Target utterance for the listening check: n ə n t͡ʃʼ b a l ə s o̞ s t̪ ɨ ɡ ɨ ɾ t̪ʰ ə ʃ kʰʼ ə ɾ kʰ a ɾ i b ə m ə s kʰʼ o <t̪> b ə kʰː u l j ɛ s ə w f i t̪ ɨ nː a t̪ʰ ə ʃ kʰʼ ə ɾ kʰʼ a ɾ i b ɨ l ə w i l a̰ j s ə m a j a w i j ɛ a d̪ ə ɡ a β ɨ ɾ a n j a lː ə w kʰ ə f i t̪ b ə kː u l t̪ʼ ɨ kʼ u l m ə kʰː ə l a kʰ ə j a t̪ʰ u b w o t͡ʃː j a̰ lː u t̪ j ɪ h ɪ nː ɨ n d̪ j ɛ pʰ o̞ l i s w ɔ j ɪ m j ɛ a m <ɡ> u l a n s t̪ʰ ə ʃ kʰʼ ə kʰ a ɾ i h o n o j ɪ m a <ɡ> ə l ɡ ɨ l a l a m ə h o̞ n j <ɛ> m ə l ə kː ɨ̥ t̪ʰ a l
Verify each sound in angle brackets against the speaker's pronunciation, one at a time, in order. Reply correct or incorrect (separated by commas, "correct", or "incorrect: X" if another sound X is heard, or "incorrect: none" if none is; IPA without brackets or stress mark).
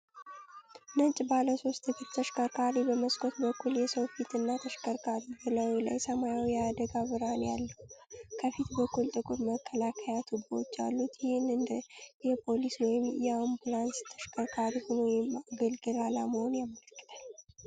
correct, incorrect: b, correct, incorrect: a